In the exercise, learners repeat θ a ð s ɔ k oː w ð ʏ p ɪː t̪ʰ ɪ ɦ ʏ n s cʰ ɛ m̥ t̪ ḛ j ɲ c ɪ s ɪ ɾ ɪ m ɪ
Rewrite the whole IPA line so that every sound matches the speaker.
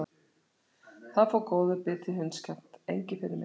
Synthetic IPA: θ a ð f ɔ k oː w ð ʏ p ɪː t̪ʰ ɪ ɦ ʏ n s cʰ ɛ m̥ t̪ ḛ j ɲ c ɪ f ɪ ɾ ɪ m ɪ